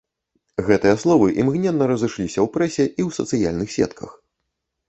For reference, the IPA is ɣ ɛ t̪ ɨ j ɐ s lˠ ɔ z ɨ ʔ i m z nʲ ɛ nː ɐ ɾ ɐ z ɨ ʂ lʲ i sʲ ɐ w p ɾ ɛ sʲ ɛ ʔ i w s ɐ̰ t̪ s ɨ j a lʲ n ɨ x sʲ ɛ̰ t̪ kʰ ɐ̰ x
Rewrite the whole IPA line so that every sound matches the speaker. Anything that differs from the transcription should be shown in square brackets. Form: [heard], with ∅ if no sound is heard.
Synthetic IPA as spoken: ɣ ɛ t̪ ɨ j ɐ s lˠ ɔ [v] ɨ ʔ i m [ɣ] nʲ ɛ nː ɐ ɾ ɐ z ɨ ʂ lʲ i sʲ ɐ w p ɾ ɛ sʲ ɛ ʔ i w s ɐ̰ t̪ s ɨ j a lʲ n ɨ x sʲ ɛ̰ t̪ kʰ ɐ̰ x